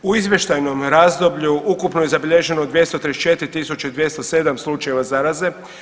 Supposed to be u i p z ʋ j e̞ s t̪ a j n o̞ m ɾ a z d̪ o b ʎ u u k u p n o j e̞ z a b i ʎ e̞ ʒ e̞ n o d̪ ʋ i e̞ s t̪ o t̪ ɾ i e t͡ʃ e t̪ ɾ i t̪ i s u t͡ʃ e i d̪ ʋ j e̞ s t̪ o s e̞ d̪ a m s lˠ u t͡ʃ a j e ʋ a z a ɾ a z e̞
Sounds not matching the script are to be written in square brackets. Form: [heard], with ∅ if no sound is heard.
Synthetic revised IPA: u i [∅] z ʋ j e̞ [ʃ] t̪ a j n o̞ m ɾ a z d̪ o b ʎ u u k u p n o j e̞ z a b i ʎ e̞ ʒ e̞ n o d̪ ʋ [j] e̞ s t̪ o t̪ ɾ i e t͡ʃ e t̪ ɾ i t̪ i s u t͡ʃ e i d̪ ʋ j e̞ s t̪ o s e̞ d̪ a m s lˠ u t͡ʃ a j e ʋ a z a ɾ a z e̞

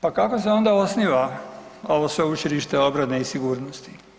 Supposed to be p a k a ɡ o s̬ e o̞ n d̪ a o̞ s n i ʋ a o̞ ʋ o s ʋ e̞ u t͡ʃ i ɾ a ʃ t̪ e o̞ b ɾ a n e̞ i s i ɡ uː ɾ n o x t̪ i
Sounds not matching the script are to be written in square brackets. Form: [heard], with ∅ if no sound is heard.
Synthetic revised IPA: p a k a [k] o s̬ e o̞ n d̪ a o̞ s n i ʋ a o̞ ʋ o s ʋ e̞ u t͡ʃ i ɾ [i] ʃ t̪ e o̞ b ɾ a n e̞ i s i ɡ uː ɾ n o [s] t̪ i

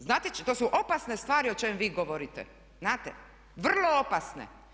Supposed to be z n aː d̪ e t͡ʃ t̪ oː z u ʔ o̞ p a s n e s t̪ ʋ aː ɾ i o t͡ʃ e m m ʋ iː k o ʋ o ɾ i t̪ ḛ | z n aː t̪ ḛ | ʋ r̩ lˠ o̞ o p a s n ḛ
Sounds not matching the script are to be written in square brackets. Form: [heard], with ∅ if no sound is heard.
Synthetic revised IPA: z n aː [t̪] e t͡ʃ t̪ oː [s] u ʔ o̞ p a s n e s t̪ ʋ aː ɾ i o t͡ʃ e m m ʋ iː [ɡ] o ʋ o ɾ i t̪ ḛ | z n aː t̪ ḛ | ʋ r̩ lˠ o̞ o p a s n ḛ

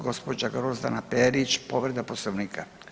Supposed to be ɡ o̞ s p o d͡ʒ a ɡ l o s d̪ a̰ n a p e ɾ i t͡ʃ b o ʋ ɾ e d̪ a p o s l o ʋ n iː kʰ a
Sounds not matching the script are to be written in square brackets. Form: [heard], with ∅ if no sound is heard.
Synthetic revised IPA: ɡ o̞ s p o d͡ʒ a ɡ [ɾ] o [z] d̪ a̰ n a p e ɾ i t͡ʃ [p] o ʋ ɾ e d̪ a p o s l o ʋ n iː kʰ a

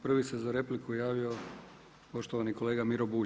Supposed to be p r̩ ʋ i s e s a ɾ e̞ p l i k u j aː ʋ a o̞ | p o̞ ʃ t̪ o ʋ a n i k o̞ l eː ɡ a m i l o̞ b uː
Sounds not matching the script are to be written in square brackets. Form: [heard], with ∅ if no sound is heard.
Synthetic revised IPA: p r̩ ʋ i s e [z] a ɾ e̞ p l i k u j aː ʋ [i] o̞ | p o̞ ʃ t̪ o ʋ a n i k o̞ l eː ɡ a m i [ɾ] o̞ b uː

